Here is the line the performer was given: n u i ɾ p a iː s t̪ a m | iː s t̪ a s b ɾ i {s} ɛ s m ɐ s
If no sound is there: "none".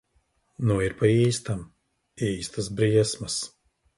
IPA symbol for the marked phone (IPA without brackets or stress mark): none